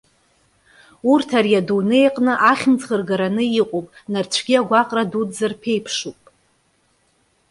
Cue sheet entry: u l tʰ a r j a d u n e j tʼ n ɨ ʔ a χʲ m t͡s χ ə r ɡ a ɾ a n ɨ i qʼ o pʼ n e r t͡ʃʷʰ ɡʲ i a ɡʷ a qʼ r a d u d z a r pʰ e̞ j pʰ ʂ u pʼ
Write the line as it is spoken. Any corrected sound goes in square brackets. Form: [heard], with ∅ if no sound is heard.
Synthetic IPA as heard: u [r] tʰ a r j a d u n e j [qʼ] n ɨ ʔ a χʲ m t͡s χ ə r ɡ a ɾ a n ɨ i qʼ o pʼ n [a] r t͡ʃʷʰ ɡʲ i a ɡʷ a qʼ r a d u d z a r pʰ e̞ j pʰ ʂ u pʼ